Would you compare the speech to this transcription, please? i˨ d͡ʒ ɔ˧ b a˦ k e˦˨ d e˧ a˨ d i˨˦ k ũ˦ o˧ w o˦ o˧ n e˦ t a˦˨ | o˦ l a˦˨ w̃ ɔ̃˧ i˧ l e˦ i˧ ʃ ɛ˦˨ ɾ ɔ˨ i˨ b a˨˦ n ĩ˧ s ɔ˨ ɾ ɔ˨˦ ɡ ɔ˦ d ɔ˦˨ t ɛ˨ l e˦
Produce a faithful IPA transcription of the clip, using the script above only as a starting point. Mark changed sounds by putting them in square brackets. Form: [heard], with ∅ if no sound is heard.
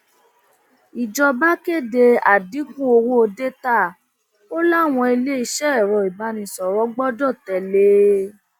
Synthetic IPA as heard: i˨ d͡ʒ ɔ˧ b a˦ k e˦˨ d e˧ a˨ d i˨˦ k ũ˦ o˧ w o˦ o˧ [d] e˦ t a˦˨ | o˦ l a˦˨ w̃ ɔ̃˧ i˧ l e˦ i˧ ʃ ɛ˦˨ ɾ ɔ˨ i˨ b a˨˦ n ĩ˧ s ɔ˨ ɾ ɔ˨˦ [ɡ͡b] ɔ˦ d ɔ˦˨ t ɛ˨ l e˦